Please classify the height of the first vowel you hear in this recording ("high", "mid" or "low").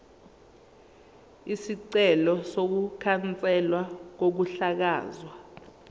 high